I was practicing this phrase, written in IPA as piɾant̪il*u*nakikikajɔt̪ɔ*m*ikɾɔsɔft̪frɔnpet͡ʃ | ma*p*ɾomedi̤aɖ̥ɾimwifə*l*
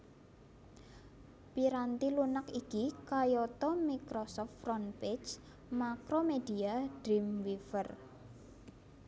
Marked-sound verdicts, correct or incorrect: correct, correct, incorrect: k, incorrect: r

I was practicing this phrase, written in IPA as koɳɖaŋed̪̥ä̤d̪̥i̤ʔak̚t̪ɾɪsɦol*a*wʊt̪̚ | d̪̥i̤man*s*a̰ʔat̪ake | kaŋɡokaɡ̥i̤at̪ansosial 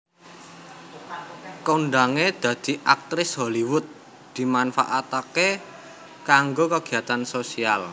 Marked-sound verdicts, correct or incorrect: incorrect: i, incorrect: f

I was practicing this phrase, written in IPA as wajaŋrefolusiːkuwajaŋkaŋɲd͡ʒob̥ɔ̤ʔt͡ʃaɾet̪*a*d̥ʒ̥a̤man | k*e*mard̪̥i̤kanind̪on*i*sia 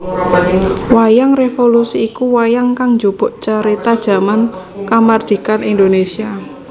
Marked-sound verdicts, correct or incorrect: correct, incorrect: a, incorrect: e

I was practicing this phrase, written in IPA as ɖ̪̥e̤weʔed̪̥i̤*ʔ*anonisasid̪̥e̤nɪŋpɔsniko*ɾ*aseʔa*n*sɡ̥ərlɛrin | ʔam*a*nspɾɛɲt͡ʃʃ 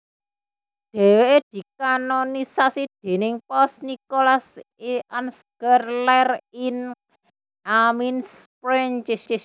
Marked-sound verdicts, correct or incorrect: incorrect: k, incorrect: l, correct, incorrect: i

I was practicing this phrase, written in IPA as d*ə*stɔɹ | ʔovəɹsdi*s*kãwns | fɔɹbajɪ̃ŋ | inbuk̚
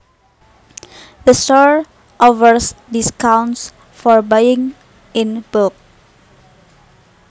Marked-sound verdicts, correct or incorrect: correct, correct

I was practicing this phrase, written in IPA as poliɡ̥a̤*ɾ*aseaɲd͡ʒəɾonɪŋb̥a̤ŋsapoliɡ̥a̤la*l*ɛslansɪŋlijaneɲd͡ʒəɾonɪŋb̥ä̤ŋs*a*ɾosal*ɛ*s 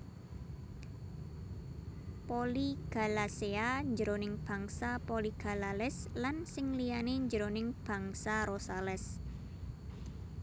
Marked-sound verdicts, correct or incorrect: incorrect: l, correct, correct, correct

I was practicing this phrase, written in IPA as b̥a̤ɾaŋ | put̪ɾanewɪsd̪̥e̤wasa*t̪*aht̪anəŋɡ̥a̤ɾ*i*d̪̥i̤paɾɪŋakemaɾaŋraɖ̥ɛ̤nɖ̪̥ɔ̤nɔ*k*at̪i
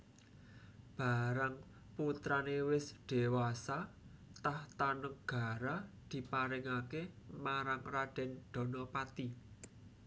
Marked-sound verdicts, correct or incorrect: correct, incorrect: a, incorrect: p

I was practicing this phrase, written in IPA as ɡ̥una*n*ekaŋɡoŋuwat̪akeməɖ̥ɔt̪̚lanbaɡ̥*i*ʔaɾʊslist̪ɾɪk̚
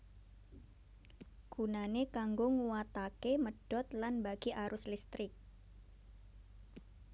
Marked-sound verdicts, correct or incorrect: correct, correct

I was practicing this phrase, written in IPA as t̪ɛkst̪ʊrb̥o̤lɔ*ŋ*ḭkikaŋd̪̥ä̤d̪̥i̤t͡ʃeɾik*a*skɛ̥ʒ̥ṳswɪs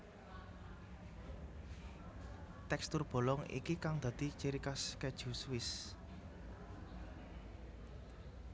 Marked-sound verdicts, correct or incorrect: correct, correct

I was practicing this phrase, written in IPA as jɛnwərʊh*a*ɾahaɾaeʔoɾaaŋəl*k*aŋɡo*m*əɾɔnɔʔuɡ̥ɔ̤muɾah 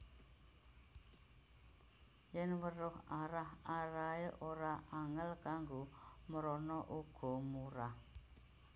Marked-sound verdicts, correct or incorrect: correct, correct, correct

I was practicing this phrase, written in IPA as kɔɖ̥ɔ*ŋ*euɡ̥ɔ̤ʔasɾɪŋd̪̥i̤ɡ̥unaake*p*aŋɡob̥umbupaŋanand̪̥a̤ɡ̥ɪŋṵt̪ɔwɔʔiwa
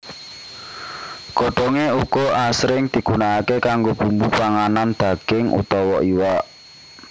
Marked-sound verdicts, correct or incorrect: correct, incorrect: k

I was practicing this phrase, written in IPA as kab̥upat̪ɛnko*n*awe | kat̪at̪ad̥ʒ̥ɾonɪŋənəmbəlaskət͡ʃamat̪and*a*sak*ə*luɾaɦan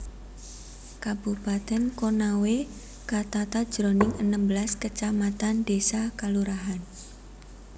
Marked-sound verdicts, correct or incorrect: correct, incorrect: e, incorrect: a

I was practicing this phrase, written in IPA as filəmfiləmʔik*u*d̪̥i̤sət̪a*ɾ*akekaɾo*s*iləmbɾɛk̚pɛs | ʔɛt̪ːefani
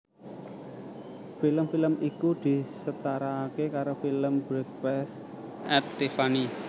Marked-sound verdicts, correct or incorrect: correct, correct, incorrect: f

